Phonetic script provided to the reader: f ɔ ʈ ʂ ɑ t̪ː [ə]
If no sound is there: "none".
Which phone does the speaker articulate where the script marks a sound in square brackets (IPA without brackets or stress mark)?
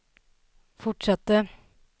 ə